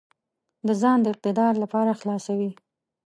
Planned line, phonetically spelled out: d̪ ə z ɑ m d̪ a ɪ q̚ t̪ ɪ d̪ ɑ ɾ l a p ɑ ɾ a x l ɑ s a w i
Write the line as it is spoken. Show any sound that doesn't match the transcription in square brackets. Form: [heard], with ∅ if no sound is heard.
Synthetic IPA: d̪ ə z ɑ [n] d̪ [ə] ɪ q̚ t̪ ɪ d̪ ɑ ɾ l a p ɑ ɾ a x l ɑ s a w i